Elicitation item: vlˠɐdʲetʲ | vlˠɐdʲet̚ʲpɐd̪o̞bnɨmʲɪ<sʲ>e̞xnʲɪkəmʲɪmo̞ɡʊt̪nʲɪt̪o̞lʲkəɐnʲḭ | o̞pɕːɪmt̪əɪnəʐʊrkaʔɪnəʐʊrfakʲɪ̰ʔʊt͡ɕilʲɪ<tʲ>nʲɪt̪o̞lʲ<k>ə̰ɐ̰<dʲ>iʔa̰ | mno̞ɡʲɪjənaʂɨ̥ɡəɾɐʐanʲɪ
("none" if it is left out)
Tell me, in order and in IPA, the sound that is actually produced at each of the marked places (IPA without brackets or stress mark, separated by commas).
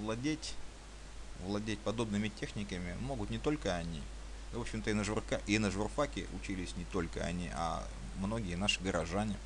tʲ, sʲ, k, nʲ